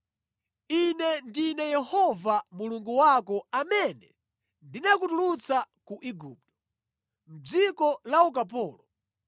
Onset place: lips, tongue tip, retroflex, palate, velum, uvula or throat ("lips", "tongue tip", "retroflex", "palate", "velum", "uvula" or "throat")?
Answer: tongue tip